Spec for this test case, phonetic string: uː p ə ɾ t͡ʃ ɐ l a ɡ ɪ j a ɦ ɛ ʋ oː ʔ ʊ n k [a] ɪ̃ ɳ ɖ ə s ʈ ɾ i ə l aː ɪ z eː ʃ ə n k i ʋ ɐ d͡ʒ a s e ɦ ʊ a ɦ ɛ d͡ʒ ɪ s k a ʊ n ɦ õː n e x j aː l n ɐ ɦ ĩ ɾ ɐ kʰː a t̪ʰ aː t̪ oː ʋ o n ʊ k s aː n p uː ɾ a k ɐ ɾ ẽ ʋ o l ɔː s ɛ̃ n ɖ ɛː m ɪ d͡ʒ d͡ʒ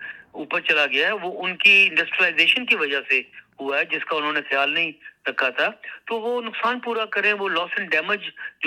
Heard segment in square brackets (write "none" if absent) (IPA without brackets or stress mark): i